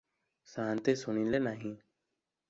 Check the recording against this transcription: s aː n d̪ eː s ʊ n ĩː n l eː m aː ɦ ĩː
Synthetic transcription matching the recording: s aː n t̪ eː s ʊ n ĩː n l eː n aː ɦ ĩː